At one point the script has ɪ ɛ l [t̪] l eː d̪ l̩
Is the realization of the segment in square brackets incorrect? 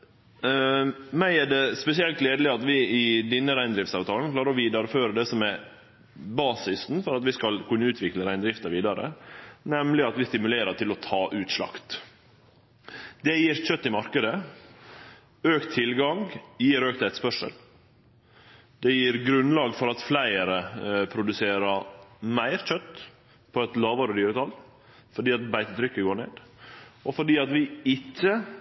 no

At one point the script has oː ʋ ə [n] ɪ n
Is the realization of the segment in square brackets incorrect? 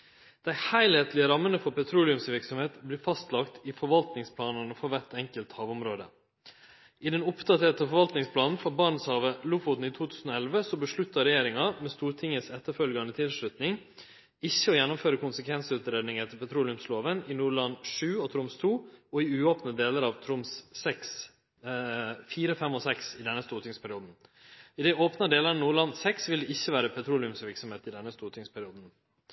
no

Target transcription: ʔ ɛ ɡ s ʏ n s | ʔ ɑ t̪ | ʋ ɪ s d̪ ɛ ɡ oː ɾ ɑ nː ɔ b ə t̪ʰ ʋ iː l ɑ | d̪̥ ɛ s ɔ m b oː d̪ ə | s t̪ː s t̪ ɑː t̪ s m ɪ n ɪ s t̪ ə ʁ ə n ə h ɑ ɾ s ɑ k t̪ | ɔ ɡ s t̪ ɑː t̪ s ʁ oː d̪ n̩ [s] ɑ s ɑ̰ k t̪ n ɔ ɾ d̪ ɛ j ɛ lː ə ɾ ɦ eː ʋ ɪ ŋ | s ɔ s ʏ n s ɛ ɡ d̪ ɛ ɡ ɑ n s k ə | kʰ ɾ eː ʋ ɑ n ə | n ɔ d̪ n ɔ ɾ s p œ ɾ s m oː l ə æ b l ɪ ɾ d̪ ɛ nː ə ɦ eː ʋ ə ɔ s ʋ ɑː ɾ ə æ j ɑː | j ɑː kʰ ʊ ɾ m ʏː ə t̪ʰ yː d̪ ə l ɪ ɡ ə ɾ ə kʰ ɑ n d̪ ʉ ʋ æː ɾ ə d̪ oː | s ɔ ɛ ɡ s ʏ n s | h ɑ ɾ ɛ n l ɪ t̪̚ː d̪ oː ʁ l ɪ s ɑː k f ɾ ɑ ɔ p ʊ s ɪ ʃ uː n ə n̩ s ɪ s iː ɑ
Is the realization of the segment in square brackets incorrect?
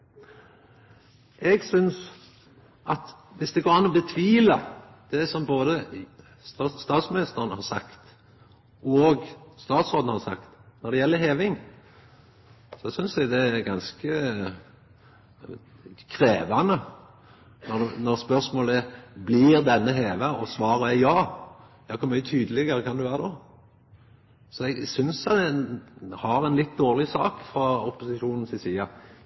yes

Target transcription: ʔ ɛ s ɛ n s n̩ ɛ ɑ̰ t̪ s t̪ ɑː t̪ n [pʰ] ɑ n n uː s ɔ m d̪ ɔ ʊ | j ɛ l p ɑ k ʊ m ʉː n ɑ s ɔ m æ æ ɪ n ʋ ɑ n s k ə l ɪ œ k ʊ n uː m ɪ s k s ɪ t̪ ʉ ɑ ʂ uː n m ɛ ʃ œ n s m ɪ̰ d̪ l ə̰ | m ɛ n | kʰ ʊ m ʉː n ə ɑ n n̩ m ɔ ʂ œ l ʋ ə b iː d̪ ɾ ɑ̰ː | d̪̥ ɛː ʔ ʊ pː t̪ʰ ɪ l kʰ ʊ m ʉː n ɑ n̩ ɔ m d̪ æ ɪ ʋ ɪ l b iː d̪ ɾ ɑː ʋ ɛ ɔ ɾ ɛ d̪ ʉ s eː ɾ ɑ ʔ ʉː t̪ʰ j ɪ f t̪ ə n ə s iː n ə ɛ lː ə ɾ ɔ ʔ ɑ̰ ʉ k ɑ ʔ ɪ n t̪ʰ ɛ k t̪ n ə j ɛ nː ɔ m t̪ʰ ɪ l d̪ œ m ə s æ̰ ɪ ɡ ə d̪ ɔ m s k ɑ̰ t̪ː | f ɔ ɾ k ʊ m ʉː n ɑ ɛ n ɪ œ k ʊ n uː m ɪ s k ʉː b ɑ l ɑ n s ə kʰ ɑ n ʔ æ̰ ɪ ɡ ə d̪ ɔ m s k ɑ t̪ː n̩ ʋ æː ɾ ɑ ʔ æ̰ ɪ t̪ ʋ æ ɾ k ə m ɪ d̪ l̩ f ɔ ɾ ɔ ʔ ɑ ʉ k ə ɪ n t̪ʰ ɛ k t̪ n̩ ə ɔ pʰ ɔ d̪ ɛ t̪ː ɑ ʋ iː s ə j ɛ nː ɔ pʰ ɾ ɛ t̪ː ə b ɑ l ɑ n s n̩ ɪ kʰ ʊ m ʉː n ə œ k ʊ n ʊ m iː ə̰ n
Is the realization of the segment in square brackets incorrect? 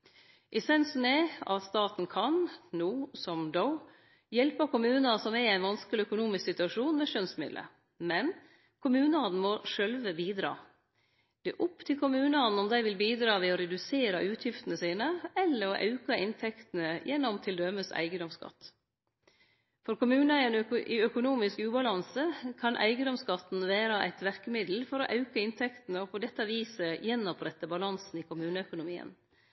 yes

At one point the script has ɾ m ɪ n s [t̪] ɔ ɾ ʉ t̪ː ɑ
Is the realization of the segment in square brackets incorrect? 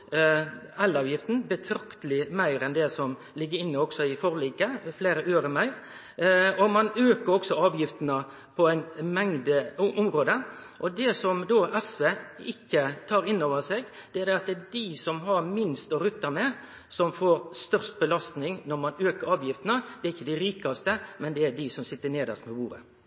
no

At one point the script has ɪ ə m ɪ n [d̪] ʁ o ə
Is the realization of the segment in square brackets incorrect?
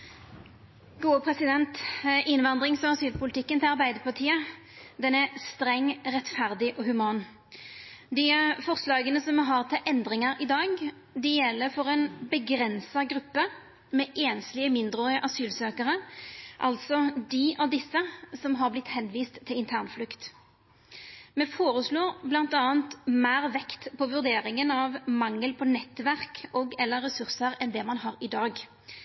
no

